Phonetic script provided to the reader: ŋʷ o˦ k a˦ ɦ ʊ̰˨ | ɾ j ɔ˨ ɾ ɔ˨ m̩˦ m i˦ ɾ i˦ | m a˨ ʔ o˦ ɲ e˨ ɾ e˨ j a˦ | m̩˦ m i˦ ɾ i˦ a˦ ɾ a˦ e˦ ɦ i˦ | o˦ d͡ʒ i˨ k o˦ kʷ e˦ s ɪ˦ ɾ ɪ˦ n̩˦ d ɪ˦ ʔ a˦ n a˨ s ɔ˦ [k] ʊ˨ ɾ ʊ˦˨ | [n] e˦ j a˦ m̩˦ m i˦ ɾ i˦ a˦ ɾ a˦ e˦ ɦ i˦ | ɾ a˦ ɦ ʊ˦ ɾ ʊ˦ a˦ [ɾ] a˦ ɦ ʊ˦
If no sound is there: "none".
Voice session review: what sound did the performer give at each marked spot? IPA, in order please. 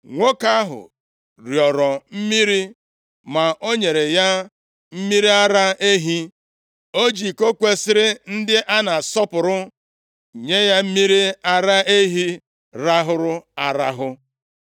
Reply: p, ɲ, ɾ

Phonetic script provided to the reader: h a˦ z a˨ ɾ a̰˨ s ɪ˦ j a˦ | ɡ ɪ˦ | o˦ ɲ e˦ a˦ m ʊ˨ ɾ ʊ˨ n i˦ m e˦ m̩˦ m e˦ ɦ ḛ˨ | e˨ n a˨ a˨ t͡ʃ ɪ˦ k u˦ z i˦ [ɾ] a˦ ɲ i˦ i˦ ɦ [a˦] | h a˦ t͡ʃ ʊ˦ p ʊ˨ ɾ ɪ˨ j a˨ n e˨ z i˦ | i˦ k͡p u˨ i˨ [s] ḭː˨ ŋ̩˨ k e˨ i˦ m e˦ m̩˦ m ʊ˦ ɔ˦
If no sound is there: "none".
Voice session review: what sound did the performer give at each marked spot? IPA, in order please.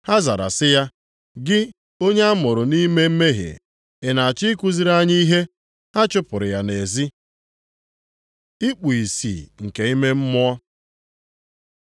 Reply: ɾ, e˦, s

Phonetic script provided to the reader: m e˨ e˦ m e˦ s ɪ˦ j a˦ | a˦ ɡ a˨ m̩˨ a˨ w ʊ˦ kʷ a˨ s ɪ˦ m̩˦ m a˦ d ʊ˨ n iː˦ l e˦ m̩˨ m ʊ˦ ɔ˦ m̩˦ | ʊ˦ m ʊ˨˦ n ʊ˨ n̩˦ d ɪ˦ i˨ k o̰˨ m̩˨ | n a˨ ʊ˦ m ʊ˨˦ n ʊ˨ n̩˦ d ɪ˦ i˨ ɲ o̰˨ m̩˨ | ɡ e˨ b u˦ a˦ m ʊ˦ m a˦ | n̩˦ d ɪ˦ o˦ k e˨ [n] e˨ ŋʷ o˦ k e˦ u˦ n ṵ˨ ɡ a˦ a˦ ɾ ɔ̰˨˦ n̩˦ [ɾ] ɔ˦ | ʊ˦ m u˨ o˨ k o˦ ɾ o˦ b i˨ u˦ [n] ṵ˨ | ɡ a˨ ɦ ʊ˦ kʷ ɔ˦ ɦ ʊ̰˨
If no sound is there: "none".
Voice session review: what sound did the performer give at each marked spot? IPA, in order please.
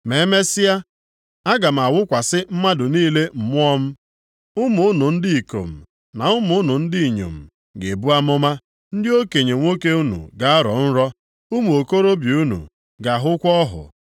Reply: ɲ, ɾ, n

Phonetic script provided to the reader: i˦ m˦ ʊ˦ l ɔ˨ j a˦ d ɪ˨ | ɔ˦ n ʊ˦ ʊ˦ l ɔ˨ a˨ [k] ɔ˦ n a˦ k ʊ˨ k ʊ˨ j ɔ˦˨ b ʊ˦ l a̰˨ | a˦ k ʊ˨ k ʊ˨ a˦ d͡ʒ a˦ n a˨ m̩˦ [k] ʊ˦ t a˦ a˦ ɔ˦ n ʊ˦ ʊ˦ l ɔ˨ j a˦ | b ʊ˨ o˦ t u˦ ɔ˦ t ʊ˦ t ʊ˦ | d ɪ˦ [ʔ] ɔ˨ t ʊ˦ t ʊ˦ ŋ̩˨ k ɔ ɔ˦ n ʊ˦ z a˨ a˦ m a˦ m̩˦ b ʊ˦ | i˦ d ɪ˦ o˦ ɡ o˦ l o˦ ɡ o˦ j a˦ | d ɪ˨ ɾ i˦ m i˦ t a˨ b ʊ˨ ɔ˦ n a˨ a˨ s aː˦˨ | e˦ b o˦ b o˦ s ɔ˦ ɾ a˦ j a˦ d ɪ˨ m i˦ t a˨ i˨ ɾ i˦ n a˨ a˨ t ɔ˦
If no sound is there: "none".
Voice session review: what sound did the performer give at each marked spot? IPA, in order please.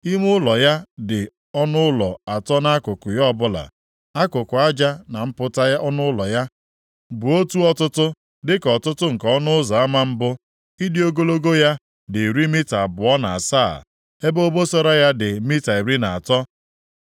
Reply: t, p, k

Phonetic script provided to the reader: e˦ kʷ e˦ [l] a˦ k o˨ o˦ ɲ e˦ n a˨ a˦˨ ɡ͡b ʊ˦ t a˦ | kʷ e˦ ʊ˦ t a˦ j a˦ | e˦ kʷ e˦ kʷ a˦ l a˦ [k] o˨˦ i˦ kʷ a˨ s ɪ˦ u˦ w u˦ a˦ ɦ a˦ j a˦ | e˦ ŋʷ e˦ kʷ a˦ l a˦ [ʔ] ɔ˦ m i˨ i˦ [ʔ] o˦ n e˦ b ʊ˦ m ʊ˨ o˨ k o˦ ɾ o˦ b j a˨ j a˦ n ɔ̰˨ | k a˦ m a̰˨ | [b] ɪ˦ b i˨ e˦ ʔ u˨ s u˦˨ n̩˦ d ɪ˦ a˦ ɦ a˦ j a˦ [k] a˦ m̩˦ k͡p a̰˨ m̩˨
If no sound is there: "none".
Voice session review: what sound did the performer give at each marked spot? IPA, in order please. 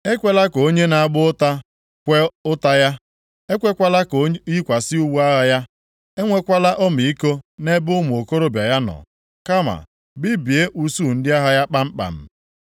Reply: l, k, ʔ, k, b, k͡p

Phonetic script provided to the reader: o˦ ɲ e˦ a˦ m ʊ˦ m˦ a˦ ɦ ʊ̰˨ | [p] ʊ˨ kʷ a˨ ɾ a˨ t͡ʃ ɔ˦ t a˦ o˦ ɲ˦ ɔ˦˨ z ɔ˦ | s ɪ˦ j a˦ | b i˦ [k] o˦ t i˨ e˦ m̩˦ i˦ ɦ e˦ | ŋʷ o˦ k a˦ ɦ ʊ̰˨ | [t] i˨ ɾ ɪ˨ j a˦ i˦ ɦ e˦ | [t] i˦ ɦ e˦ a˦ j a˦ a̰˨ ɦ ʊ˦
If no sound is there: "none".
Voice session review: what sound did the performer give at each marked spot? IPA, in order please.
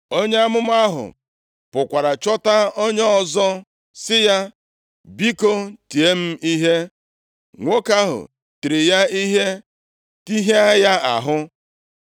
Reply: p, k, t, t

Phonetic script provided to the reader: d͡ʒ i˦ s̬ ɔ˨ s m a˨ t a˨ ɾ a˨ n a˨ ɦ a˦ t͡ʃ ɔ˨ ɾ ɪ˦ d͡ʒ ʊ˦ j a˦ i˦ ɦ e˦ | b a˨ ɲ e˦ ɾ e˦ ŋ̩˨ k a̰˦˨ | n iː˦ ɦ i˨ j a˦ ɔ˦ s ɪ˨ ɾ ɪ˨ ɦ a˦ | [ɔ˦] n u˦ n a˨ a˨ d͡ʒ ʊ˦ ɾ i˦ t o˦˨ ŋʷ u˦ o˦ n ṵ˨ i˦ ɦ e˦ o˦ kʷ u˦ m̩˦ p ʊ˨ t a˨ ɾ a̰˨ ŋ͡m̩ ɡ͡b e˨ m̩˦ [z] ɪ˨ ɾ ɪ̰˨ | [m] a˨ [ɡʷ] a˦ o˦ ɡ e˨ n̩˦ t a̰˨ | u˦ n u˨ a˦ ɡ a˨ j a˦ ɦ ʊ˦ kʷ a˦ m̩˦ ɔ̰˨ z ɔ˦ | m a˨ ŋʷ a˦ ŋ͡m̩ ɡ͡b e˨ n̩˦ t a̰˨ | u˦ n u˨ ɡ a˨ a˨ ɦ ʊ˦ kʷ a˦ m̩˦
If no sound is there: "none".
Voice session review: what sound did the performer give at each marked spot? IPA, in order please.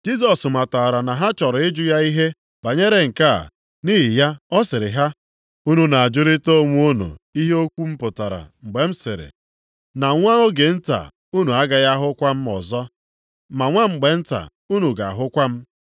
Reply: u˦, s, n, ŋʷ

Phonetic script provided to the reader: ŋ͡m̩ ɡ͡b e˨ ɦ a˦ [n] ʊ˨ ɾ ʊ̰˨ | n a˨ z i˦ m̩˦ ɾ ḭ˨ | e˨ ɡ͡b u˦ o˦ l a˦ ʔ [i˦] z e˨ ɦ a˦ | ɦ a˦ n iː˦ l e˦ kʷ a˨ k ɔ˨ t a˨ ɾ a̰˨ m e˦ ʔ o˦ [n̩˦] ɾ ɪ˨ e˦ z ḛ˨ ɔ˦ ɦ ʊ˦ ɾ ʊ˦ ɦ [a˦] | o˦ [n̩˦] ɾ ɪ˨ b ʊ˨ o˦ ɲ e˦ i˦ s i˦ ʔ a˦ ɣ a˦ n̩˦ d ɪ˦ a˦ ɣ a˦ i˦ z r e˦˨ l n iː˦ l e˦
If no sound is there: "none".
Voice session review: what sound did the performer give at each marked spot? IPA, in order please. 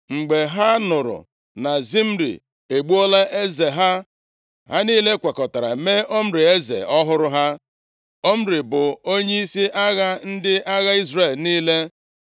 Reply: n, e˦, m̩˦, a˦, m̩˦

